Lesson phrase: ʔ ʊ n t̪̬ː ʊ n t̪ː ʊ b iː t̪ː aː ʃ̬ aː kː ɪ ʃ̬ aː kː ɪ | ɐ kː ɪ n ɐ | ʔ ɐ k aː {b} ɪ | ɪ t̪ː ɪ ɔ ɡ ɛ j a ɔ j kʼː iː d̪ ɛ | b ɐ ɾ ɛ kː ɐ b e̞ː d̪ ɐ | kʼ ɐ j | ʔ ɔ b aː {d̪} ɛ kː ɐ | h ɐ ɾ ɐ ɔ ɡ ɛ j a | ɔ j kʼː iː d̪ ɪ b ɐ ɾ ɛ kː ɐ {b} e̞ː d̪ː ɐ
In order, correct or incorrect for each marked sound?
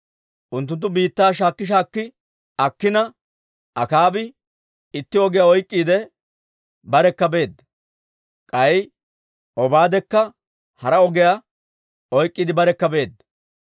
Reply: correct, correct, correct

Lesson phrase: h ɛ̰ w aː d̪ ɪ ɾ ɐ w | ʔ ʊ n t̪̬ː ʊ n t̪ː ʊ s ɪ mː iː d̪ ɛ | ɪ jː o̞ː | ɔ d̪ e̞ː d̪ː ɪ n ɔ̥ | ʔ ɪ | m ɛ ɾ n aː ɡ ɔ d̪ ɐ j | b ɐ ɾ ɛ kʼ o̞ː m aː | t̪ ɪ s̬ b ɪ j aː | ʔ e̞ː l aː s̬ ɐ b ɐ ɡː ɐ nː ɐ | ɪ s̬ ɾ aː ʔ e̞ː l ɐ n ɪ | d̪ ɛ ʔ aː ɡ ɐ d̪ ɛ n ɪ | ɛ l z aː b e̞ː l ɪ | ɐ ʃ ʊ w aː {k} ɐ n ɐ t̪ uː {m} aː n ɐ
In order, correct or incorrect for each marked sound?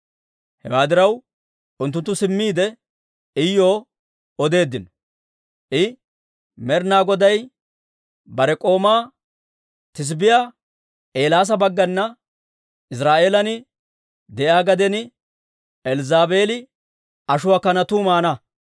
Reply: correct, correct

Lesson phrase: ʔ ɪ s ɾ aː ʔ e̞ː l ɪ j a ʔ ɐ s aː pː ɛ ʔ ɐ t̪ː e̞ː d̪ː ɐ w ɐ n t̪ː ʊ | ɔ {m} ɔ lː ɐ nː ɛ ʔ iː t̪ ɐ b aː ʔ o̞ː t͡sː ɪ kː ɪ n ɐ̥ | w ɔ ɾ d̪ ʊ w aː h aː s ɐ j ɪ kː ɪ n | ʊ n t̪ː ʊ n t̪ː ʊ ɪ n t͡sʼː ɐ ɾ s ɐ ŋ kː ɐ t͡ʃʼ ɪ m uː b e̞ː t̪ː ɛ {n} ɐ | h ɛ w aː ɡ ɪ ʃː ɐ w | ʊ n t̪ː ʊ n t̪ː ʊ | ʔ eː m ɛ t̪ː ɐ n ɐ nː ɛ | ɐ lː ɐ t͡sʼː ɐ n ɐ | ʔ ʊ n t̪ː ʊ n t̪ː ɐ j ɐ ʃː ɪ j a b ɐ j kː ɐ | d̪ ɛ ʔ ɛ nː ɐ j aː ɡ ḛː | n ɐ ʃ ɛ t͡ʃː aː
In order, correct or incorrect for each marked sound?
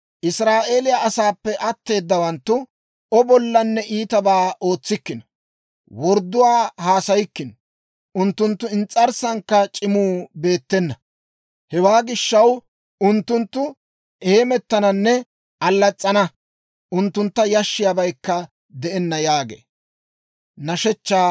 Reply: incorrect: b, incorrect: nː

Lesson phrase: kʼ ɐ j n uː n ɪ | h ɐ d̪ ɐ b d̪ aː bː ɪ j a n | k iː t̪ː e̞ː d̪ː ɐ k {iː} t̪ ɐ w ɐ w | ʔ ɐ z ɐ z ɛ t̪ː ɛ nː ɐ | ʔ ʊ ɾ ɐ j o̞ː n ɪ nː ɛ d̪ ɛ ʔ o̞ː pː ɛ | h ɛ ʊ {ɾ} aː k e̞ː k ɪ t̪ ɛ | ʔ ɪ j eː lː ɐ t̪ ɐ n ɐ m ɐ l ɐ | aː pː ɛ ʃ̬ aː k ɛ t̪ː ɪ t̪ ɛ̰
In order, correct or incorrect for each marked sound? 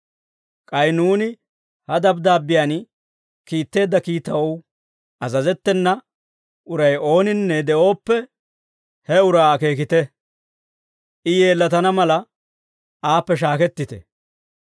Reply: correct, correct

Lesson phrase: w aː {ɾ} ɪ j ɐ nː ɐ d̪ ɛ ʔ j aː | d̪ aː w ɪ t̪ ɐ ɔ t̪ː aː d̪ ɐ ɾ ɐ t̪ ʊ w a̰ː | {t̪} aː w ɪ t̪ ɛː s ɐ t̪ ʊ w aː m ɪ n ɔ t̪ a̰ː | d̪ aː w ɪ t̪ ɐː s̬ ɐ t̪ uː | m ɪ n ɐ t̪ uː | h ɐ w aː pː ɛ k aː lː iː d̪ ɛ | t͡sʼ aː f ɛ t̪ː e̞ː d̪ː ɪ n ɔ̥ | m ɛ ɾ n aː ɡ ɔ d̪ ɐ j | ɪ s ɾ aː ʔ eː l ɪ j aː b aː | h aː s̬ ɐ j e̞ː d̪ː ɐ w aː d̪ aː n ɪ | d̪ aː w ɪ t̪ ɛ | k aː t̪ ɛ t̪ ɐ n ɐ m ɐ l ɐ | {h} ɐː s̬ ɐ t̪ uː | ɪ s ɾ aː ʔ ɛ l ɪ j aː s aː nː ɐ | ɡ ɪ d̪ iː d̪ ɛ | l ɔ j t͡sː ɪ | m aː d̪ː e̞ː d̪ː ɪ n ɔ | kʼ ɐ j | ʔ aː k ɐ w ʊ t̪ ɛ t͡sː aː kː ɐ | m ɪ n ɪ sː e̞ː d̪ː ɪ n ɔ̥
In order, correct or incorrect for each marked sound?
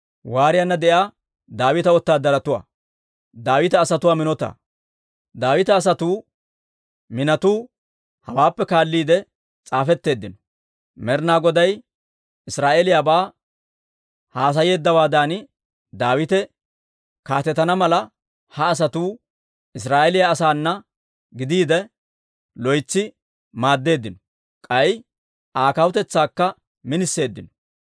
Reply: correct, incorrect: d̪, correct

